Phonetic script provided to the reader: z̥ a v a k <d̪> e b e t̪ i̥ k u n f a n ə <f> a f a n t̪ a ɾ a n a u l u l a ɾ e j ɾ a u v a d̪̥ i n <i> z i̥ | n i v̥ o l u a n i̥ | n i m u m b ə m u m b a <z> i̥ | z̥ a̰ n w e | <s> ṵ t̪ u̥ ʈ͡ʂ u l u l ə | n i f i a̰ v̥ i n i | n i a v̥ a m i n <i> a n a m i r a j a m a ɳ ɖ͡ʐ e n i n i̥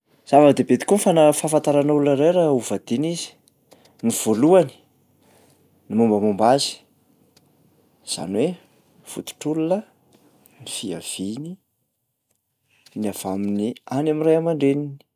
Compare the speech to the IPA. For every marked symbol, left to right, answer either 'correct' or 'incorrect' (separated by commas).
correct, correct, correct, correct, incorrect, correct